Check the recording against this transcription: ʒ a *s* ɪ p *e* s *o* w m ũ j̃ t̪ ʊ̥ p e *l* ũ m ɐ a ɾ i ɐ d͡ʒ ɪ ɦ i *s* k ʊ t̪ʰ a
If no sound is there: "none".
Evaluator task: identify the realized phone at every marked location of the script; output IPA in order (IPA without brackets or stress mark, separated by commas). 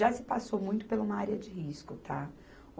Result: s, a, o, l, s